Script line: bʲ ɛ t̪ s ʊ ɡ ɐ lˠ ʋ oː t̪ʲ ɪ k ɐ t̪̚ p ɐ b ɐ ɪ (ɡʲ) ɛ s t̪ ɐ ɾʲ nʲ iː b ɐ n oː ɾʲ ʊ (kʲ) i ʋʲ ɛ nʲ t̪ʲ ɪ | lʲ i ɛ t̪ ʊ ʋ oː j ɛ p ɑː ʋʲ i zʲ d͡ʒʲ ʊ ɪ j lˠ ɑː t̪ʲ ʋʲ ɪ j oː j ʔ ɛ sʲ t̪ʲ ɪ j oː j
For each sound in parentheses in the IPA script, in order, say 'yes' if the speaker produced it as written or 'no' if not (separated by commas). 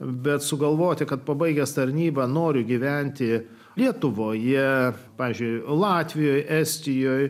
yes, no